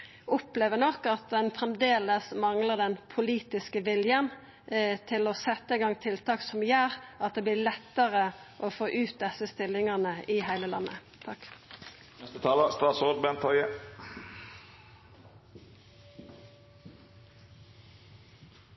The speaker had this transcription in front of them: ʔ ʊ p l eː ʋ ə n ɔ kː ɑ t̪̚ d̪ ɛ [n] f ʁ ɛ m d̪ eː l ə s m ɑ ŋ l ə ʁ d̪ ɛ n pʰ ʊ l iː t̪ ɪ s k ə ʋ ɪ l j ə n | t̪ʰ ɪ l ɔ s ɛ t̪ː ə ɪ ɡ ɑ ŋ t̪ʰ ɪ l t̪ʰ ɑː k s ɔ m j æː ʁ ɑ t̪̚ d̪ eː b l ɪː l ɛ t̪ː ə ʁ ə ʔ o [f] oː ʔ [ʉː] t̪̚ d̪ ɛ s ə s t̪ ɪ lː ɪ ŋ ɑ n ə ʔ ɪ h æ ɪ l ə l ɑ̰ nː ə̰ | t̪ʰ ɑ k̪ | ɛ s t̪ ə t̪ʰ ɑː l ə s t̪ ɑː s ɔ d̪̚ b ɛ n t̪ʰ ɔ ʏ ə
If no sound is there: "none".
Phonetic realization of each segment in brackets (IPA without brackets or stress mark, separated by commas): n, f, ʉː